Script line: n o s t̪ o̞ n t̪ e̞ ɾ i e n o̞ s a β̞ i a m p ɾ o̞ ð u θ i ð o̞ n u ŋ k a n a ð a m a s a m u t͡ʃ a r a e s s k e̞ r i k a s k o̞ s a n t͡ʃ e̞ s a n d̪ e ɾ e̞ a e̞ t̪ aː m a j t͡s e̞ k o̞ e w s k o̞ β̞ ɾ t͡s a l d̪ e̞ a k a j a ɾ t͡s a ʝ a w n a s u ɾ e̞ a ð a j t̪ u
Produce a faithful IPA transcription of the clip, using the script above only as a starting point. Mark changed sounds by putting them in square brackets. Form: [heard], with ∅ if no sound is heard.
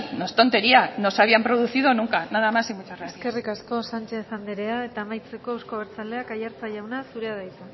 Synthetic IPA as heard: n o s t̪ o̞ n t̪ e̞ ɾ i [a] n o̞ s a β̞ i a m p ɾ o̞ ð u θ i ð o̞ n u ŋ k a n a ð a m a s [i] m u t͡ʃ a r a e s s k e̞ r i k a s k o̞ s a n t͡ʃ e̞ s a n d̪ e ɾ e̞ a e̞ t̪ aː m a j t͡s e̞ k o̞ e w s k o̞ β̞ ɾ t͡s a l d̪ e̞ a k a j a ɾ t͡s a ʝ a w n a s u ɾ e̞ a ð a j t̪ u

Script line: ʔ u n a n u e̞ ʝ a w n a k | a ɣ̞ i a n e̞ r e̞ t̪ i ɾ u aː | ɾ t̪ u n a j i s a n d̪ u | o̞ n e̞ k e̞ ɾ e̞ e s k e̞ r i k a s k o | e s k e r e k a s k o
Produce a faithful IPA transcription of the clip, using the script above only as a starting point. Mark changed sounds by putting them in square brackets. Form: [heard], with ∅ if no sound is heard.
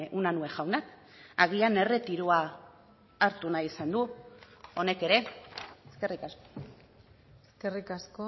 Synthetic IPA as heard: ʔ u n a n u e̞ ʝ a w n a k | a ɣ̞ i a n e̞ r e̞ t̪ i ɾ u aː | ɾ t̪ u n a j i s a n d̪ u | o̞ n e̞ k e̞ ɾ e̞ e s k e̞ r i k a s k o | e s k e r [i] k a s k o

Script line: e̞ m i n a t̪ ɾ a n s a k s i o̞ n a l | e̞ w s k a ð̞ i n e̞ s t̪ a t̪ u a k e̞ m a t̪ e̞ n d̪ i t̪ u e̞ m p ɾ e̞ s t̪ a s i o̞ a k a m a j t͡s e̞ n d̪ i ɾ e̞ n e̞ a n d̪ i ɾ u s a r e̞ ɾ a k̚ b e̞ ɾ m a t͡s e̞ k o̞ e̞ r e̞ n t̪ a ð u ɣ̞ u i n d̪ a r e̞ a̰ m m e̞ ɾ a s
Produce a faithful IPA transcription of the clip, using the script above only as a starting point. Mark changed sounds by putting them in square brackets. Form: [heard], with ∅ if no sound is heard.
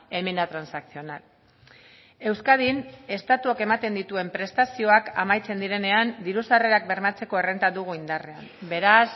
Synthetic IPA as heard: e̞ m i n a t̪ ɾ a n s a k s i o̞ n a l | e̞ w s k a ð̞ i n e̞ s t̪ a t̪ u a k e̞ m a t̪ e̞ n d̪ i t̪ u e̞ m p ɾ e̞ s t̪ a s i o̞ a k a m a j t͡s e̞ n d̪ i ɾ e̞ n e̞ a n d̪ i ɾ u s a r e̞ ɾ a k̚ b e̞ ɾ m a t͡s e̞ k o̞ e̞ r e̞ n t̪ a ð u ɣ̞ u i n d̪ a r e̞ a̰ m [b] e̞ ɾ a s

